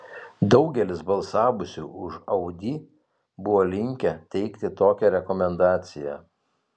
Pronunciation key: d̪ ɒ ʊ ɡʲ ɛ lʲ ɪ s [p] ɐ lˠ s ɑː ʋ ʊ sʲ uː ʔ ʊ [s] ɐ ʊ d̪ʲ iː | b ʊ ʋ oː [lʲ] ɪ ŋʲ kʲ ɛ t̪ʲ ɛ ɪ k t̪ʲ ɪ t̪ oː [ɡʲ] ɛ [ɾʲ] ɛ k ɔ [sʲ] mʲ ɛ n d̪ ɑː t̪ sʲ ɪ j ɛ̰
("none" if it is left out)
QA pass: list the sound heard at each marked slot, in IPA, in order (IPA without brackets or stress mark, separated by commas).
b, ʃ, lʲ, kʲ, ɾʲ, none